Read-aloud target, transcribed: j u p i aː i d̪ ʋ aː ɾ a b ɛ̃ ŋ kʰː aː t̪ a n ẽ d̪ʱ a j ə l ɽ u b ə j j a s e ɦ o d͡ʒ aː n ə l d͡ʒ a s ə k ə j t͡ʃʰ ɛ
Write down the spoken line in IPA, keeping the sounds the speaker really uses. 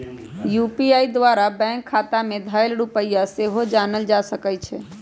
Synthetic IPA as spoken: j u p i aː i d̪ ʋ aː ɾ a b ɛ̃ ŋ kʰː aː t̪ a m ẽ d̪ʱ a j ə l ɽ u p ə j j a s e ɦ o d͡ʒ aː n ə l d͡ʒ a s ə k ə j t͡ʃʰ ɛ